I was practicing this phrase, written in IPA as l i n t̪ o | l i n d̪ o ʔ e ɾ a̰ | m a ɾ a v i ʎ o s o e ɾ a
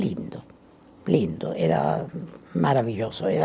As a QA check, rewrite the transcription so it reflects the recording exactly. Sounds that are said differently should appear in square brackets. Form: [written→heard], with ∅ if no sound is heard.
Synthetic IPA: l i n [t̪→d̪] o | l i n d̪ o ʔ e ɾ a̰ | m a ɾ a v i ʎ o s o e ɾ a